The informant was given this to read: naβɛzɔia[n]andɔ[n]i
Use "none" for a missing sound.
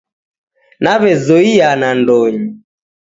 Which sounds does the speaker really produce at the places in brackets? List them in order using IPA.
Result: n, ɲ

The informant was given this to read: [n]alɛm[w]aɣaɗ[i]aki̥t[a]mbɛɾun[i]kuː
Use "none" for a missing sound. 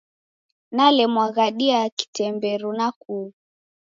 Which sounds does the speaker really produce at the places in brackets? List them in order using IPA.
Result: n, w, i, ɛ, a

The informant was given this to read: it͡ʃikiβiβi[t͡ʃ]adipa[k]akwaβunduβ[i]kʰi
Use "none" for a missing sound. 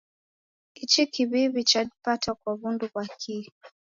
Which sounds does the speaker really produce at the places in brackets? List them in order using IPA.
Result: t͡ʃ, t, a

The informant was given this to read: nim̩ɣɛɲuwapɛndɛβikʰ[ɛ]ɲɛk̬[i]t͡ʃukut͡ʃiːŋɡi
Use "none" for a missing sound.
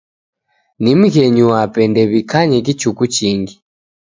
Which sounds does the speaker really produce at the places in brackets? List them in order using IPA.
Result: a, i

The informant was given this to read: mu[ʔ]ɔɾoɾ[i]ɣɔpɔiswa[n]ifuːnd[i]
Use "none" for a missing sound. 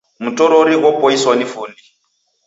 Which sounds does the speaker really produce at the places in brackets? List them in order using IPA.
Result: t, i, n, i

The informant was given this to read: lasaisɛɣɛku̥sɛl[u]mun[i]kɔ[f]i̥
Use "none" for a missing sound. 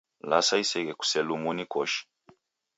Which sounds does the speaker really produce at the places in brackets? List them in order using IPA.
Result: u, i, ʃ

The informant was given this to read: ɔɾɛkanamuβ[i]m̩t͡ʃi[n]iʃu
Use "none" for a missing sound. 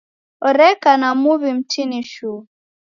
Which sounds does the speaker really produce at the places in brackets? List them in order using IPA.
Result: i, n

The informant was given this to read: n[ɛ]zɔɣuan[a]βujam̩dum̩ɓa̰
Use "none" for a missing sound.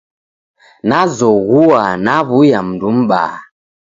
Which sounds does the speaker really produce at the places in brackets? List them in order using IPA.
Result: a, a

